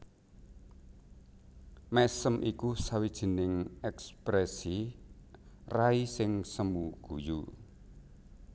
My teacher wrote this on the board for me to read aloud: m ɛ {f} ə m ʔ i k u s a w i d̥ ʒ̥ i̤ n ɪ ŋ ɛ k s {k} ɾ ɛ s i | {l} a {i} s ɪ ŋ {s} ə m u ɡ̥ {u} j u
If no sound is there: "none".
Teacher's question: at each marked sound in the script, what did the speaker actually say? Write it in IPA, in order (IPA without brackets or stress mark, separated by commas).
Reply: s, p, r, i, s, u